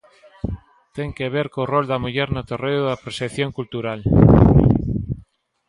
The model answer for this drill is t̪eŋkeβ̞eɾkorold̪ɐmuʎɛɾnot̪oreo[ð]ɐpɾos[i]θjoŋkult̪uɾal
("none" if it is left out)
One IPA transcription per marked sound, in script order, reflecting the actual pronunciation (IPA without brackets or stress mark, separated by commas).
ð, e